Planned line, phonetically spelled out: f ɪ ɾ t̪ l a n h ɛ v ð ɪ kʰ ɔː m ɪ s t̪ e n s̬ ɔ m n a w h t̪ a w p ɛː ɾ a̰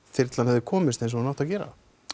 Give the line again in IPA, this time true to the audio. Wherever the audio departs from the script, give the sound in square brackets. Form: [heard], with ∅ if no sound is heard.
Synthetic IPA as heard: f ɪ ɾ t̪ l a n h ɛ v ð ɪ kʰ ɔː m ɪ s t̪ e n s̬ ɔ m n a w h t̪ a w [c] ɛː ɾ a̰